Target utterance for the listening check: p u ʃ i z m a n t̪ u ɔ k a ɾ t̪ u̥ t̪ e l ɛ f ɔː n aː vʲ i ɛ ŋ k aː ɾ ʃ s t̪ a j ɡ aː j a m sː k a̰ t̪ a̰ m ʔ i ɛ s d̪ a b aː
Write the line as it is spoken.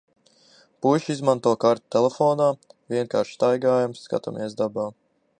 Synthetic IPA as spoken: p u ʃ i z m a n t̪ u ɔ k a ɾ t̪ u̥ t̪ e l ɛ f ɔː n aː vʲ i ɛ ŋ k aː ɾ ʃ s t̪ a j ɡ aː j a m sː k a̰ t̪ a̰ m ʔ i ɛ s d̪ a b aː